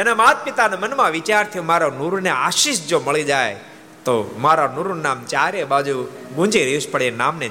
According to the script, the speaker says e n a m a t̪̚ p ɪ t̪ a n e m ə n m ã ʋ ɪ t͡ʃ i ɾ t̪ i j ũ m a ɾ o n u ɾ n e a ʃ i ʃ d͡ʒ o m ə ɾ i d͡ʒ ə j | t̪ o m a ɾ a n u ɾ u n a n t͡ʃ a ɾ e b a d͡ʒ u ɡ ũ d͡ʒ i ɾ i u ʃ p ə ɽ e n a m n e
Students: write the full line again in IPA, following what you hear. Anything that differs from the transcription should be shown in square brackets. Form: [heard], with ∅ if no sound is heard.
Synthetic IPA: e n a m a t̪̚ p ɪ t̪ a n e m ə n m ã ʋ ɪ t͡ʃ [a] ɾ [t̪ʰ] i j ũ m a ɾ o n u ɾ n e a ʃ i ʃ d͡ʒ o m ə [ɭ] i d͡ʒ [a] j | t̪ o m a ɾ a n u ɾ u n a [m] t͡ʃ a ɾ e b a d͡ʒ u ɡ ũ d͡ʒ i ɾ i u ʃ p ə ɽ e n a m n e